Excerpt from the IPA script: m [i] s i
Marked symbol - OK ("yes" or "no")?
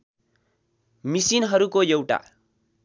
yes